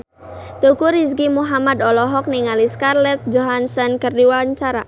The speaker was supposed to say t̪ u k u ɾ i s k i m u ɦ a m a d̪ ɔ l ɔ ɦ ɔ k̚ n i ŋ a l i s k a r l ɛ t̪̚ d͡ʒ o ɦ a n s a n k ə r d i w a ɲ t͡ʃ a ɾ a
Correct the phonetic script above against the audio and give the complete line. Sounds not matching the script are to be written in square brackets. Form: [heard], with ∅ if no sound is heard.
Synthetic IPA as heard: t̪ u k u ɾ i s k i m u ɦ a m a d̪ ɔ l ɔ ɦ ɔ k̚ n i ŋ a l i s k a r l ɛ t̪̚ d͡ʒ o ɦ a n s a n k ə r d i w a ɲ t͡ʃ a ɾ a